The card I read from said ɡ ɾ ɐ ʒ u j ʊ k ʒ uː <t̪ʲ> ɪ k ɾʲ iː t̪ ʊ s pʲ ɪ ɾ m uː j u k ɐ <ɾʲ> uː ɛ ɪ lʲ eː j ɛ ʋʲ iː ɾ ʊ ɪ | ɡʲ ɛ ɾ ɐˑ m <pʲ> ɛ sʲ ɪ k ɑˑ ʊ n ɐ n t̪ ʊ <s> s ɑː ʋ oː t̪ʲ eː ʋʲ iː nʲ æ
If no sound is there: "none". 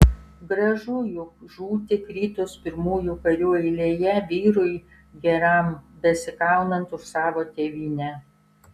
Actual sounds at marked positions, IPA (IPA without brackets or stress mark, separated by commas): t̪ʲ, ɾʲ, bʲ, ʃ